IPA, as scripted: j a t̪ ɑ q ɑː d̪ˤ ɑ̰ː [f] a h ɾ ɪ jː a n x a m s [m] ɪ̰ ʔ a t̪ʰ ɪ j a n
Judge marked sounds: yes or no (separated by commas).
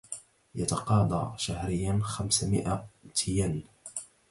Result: no, yes